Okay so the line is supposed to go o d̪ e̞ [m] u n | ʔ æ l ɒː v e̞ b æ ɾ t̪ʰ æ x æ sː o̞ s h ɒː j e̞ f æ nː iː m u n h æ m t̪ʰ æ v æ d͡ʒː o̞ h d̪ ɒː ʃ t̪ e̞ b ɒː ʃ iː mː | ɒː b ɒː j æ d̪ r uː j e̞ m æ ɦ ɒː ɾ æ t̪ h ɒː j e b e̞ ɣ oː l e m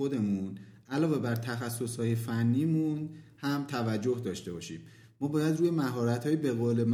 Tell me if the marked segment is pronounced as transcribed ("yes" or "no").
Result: yes